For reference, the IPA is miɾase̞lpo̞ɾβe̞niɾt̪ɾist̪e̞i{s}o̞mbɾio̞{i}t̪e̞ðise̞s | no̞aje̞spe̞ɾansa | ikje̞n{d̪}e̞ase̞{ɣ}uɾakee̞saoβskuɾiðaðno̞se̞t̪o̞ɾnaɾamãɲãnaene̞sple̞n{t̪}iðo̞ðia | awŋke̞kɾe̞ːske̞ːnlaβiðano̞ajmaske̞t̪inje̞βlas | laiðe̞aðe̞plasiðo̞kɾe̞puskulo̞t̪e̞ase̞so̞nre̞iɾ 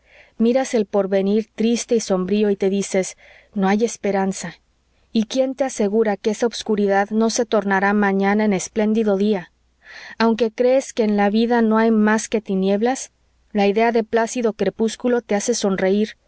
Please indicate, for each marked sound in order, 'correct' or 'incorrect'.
correct, correct, incorrect: t̪, correct, incorrect: d̪

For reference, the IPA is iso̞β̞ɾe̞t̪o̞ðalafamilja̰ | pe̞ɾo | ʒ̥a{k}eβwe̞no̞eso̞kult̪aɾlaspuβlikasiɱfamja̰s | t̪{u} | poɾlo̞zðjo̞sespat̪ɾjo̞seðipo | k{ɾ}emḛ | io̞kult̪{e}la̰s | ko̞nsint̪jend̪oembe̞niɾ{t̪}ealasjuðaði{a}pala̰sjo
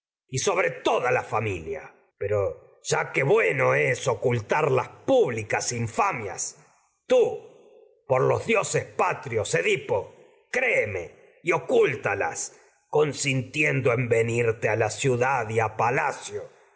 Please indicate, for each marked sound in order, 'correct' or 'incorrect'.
correct, correct, correct, incorrect: a, correct, correct

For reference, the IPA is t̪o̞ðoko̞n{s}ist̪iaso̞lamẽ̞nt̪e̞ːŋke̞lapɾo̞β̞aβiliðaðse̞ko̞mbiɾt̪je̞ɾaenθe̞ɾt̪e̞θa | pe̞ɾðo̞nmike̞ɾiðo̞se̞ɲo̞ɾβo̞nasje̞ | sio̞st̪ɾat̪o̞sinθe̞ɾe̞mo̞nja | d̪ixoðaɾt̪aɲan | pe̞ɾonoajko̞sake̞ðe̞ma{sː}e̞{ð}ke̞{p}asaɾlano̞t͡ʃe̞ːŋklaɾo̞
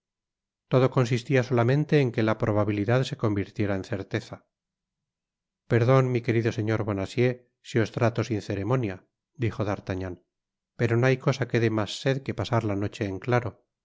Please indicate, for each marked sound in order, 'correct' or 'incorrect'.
correct, correct, correct, correct

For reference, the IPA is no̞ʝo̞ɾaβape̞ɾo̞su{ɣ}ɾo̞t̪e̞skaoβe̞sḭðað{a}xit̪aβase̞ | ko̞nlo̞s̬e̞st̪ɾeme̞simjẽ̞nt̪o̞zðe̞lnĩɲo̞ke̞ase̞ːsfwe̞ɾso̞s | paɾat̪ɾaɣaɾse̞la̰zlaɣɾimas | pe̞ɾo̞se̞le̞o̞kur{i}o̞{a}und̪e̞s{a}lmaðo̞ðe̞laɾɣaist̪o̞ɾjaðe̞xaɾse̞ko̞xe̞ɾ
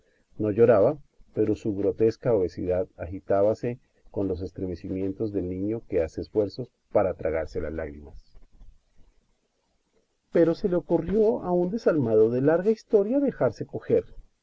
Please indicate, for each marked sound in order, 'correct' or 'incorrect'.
correct, correct, incorrect: j, correct, correct

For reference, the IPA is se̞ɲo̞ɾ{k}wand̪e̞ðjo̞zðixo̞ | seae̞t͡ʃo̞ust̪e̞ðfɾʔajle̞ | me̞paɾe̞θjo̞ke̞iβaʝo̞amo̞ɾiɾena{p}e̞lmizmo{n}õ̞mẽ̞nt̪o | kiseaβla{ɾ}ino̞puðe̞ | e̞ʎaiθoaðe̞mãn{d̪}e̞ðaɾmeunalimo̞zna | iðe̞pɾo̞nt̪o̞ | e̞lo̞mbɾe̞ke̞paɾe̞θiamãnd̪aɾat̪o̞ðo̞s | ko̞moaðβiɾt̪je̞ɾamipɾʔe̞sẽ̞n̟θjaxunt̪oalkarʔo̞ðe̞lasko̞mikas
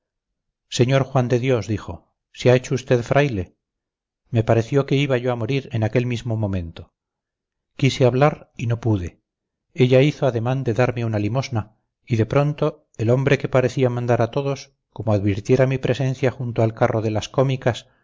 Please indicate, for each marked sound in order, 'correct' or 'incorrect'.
incorrect: x, incorrect: k, incorrect: m, correct, correct

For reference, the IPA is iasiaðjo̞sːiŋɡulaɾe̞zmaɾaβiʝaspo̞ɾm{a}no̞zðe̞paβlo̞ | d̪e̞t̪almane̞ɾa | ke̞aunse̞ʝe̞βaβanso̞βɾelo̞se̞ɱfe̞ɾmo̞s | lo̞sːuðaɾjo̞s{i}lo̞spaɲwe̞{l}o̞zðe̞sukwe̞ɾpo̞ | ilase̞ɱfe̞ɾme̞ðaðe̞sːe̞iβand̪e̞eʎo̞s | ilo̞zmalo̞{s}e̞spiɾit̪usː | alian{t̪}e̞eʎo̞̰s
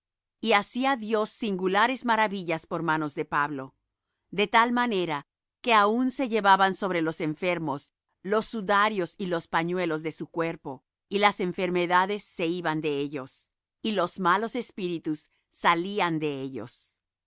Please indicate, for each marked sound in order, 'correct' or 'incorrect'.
correct, correct, correct, correct, incorrect: d̪

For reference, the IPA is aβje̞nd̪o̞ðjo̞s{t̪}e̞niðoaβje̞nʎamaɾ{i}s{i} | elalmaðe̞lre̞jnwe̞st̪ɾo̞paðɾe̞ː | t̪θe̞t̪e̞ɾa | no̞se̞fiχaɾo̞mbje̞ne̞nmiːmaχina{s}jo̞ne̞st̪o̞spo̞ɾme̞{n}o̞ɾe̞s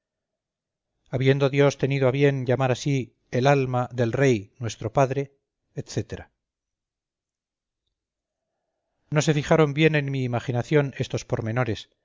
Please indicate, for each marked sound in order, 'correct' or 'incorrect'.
correct, incorrect: a, correct, incorrect: θ, correct

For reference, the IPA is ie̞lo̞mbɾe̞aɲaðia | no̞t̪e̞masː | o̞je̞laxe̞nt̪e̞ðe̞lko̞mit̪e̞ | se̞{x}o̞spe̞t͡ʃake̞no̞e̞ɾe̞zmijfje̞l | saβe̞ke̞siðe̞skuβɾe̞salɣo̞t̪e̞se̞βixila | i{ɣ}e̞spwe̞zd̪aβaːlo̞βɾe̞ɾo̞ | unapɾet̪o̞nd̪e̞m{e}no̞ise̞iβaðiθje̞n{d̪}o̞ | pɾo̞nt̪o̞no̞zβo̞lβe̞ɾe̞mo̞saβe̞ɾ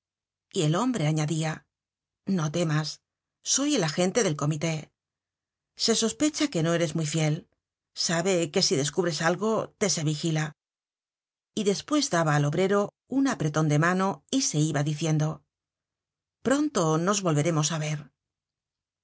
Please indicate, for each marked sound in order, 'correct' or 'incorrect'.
incorrect: s, incorrect: ð, incorrect: a, correct

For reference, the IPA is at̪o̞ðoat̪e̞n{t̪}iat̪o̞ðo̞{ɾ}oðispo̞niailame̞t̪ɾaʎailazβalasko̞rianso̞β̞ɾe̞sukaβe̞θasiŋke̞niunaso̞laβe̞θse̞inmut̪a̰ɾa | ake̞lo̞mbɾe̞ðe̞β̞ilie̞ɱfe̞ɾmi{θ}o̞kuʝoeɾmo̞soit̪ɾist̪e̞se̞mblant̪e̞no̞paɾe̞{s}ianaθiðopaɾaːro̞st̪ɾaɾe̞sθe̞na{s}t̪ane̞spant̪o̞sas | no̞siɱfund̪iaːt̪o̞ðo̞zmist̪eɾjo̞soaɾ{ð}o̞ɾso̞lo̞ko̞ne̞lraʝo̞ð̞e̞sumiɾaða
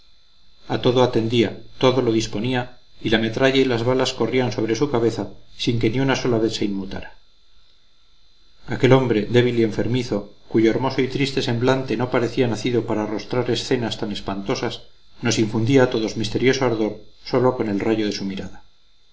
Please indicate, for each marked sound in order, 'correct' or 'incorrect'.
incorrect: d̪, incorrect: l, correct, incorrect: θ, correct, correct

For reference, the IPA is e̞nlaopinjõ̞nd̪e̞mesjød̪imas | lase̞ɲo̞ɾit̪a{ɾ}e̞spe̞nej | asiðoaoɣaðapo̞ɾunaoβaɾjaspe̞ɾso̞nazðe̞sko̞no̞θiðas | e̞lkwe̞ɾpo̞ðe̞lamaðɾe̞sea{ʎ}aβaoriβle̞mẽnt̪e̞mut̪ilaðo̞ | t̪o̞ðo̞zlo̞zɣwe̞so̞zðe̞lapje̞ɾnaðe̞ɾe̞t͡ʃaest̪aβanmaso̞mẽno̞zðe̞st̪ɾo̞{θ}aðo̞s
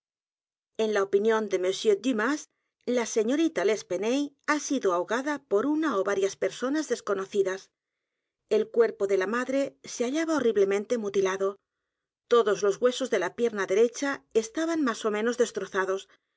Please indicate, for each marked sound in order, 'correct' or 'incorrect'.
incorrect: l, correct, correct

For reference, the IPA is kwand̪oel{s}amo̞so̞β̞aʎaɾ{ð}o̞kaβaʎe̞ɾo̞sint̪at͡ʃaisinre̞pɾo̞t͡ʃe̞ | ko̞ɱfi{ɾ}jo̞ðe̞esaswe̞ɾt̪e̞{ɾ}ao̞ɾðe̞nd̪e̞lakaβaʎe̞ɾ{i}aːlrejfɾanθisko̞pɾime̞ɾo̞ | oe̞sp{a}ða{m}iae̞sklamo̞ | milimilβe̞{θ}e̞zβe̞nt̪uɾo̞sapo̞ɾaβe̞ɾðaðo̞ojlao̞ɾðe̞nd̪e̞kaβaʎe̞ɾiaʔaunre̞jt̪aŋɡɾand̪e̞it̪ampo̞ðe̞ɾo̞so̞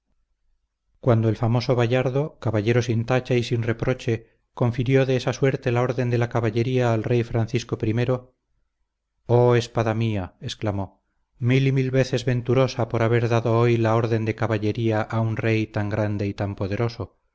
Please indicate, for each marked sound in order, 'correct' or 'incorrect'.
incorrect: f, correct, correct, incorrect: l, correct, correct, correct, correct

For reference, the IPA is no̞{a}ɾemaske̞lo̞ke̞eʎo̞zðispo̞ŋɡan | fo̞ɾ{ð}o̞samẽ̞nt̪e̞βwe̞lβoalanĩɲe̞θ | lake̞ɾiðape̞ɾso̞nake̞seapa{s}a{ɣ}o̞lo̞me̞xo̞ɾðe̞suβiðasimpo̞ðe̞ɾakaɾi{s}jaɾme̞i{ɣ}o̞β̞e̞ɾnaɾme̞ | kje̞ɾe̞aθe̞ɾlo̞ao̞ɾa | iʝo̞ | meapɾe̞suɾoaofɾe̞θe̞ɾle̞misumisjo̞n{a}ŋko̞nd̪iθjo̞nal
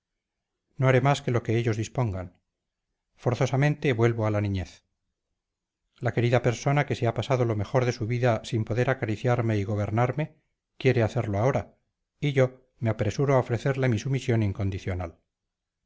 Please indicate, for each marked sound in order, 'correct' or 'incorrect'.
correct, incorrect: θ, correct, incorrect: ð, incorrect: θ, correct, incorrect: i

